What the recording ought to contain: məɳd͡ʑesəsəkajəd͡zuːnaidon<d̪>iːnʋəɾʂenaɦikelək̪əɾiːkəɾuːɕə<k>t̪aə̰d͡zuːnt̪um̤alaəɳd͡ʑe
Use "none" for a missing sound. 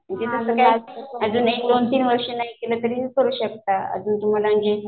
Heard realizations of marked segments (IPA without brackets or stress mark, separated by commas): t̪, k